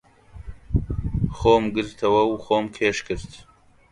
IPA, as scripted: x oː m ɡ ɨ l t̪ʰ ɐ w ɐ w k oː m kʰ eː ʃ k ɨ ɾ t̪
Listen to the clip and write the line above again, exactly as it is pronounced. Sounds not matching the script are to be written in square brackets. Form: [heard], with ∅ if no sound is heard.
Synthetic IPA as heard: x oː m ɡ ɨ [ɾ] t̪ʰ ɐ w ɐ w [x] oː m kʰ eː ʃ k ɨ ɾ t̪